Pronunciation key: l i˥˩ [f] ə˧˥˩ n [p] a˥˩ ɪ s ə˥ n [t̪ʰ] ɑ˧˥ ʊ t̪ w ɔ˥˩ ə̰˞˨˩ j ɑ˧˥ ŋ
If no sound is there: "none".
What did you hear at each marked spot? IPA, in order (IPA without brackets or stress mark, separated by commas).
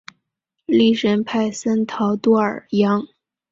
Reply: ʂ, pʰ, t̪ʰ